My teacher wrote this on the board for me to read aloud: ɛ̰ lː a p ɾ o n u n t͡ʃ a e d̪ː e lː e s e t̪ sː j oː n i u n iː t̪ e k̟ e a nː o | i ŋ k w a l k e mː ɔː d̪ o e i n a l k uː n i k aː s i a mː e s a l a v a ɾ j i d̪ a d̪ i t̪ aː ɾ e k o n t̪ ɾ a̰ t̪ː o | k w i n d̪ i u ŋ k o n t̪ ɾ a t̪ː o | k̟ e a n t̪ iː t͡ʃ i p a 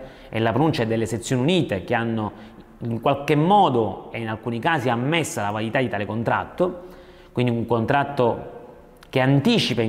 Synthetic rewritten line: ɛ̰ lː a p ɾ o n u n t͡ʃ a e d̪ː e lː e s e t̪ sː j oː n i u n iː t̪ e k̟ e a nː o | i ŋ k w a l k e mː ɔː d̪ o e i n a l k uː n i k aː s i a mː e sː a l a v a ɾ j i t̪ a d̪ i t̪ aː l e k o n t̪ ɾ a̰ t̪ː o | k w i n d̪ i u ŋ k o n t̪ ɾ a t̪ː o | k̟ e a n t̪ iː t͡ʃ i p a